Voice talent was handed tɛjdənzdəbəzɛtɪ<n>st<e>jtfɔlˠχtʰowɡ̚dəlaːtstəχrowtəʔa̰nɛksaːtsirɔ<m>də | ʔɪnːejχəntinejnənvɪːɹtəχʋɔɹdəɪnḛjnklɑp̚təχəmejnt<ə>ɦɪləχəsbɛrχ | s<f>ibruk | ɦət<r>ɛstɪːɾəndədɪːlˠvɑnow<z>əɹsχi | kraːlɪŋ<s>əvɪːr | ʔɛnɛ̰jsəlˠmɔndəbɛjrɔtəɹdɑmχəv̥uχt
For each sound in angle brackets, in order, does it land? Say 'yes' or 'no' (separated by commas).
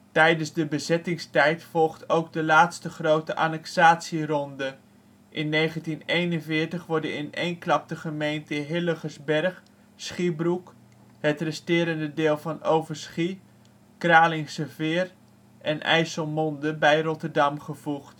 no, no, no, yes, no, yes, no, yes